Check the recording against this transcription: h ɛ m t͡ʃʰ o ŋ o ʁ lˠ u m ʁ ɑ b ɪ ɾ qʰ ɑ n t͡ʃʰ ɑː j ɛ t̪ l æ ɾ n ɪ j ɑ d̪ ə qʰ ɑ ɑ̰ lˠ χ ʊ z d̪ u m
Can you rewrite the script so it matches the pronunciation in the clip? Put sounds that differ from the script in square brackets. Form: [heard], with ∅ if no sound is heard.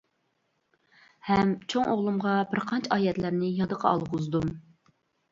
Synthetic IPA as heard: h ɛ m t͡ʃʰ o ŋ o ʁ lˠ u m ʁ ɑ b ɪ ɾ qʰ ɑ n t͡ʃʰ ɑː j ɛ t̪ l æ ɾ n ɪ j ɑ d̪ ə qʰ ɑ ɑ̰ lˠ [ʁ] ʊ z d̪ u m